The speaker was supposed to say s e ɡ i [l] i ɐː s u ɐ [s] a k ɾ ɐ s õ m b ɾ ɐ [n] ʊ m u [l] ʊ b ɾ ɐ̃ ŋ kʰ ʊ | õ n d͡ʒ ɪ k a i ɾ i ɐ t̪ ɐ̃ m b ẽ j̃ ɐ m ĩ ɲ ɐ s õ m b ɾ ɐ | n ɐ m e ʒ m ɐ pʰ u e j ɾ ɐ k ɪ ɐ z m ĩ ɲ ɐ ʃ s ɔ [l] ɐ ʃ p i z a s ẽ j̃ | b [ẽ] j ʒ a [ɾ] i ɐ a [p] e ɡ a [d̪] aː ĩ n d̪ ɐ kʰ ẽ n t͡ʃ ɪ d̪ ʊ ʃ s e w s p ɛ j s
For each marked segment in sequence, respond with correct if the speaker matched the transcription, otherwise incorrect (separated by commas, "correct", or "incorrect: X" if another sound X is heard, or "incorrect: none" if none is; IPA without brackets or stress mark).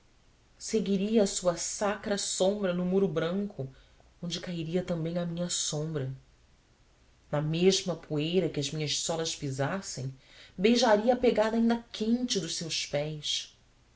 incorrect: ɾ, correct, correct, incorrect: ɾ, correct, incorrect: e, correct, correct, correct